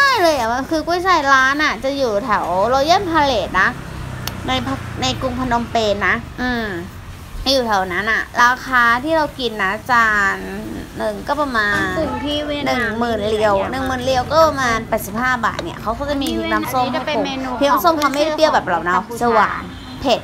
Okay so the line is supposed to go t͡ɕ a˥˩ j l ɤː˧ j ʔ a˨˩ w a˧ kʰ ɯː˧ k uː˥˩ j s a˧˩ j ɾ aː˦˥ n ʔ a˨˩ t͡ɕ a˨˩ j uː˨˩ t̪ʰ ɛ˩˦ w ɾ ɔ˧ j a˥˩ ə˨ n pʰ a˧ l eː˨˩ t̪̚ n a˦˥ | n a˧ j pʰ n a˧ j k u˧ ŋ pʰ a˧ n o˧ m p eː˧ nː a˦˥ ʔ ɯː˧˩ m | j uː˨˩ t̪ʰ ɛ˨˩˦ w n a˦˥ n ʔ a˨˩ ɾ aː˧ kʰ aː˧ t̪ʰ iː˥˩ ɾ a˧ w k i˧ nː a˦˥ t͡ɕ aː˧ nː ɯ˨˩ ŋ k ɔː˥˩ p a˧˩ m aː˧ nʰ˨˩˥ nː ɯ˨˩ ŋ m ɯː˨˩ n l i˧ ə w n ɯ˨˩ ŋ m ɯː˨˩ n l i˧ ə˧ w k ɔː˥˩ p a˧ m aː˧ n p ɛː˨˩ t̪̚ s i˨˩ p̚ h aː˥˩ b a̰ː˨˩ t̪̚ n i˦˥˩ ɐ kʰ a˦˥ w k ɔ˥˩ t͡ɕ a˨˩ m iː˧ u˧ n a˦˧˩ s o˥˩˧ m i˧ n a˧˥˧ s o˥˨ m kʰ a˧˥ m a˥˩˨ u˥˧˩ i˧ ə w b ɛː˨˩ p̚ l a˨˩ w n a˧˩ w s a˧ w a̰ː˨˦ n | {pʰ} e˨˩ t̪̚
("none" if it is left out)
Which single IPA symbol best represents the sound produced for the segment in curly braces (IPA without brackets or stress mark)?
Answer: pʰ